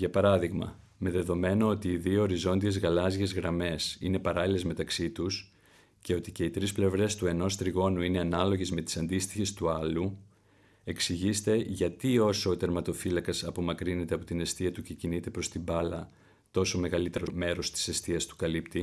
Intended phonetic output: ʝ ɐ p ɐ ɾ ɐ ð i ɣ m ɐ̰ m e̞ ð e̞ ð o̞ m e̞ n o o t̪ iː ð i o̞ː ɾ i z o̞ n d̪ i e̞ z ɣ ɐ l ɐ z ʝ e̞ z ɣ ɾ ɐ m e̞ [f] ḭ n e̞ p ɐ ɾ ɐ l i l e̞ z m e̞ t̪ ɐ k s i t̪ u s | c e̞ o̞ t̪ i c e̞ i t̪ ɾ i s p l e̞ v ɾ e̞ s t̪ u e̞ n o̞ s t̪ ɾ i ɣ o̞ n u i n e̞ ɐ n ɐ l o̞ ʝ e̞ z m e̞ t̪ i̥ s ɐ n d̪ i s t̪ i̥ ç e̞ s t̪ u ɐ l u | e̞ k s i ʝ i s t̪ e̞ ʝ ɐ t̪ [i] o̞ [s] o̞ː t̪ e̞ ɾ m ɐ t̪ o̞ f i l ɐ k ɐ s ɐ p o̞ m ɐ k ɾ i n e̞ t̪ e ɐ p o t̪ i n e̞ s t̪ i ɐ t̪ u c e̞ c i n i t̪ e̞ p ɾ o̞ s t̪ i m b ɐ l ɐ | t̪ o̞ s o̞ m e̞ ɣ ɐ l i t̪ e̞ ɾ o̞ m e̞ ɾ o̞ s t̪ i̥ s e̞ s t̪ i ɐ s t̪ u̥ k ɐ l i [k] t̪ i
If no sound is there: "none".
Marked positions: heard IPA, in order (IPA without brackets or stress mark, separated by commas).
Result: s, i, s, p